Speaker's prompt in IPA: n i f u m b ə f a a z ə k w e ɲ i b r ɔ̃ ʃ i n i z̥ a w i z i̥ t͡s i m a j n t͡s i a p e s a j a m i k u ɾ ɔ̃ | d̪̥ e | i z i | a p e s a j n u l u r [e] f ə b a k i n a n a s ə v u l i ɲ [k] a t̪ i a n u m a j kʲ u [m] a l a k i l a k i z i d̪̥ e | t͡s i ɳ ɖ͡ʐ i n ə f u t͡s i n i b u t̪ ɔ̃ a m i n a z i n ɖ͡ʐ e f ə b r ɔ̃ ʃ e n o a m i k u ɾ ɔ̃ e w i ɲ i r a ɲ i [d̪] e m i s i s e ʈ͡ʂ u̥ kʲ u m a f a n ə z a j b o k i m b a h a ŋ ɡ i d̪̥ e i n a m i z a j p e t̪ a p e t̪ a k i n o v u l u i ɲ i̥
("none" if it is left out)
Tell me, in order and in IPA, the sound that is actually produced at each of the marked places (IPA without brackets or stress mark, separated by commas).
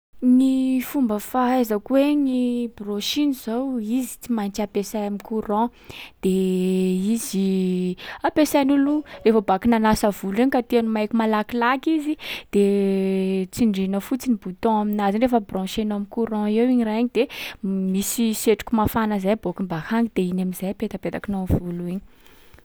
e, k, m, d̪